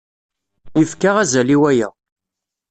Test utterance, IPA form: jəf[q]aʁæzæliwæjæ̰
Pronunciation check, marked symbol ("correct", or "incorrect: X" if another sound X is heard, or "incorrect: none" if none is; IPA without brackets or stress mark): incorrect: k